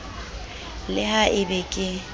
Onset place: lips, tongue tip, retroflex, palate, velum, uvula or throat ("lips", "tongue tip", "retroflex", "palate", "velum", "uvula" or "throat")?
tongue tip